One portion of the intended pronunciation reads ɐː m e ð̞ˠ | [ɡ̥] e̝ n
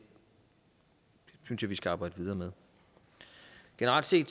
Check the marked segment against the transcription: correct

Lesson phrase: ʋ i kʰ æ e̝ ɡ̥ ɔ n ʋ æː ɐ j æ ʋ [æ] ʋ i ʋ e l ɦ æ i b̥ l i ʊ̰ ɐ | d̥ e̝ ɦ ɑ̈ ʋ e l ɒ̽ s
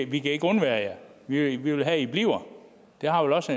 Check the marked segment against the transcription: incorrect: i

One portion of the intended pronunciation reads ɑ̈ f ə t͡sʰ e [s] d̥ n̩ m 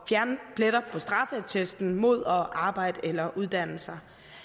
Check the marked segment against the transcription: correct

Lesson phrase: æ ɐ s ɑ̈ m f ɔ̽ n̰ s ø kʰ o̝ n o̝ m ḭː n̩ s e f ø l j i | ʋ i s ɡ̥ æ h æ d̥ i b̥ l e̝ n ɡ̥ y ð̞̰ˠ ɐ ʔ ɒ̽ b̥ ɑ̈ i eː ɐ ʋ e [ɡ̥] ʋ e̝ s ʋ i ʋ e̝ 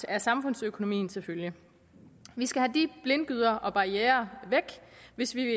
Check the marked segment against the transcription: correct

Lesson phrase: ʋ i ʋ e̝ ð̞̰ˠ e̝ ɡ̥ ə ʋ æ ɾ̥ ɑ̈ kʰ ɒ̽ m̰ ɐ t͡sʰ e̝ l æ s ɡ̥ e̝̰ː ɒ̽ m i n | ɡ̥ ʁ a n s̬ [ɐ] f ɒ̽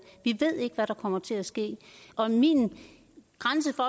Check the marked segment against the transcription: incorrect: ə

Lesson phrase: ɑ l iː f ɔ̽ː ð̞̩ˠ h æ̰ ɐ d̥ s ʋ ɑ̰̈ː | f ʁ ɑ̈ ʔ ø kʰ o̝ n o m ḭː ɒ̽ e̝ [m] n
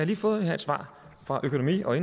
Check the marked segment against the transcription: incorrect: none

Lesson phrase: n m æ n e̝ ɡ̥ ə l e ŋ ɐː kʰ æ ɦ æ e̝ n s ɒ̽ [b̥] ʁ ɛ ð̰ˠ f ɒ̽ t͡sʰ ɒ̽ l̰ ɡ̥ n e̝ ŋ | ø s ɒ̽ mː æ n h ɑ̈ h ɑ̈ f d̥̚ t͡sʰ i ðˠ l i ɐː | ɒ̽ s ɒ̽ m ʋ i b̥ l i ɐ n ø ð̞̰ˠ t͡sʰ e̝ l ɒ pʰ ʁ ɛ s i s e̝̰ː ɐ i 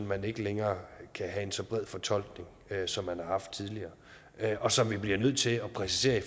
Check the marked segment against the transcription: correct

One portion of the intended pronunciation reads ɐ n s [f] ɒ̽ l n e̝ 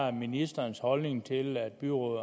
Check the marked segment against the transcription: incorrect: h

